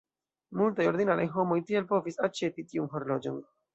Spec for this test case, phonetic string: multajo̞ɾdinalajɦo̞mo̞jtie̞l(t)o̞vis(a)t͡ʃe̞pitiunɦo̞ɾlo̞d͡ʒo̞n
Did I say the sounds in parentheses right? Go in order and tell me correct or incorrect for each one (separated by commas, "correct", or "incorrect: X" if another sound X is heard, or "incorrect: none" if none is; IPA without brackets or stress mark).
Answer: incorrect: p, correct